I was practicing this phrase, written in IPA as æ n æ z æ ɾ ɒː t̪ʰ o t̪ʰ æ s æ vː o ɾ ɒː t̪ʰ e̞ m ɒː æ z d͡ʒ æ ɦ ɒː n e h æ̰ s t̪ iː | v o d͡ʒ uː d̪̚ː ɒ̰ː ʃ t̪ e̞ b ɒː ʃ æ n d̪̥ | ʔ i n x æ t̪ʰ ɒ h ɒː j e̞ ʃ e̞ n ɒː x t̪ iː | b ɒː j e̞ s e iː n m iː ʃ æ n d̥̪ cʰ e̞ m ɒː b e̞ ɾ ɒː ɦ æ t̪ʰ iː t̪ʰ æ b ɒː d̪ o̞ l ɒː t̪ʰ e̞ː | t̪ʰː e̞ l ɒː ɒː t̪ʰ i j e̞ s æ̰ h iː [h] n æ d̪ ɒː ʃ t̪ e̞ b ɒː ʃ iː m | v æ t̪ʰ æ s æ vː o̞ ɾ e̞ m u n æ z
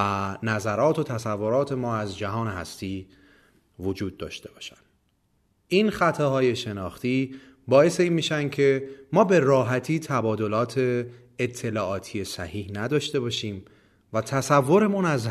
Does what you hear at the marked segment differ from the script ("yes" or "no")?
no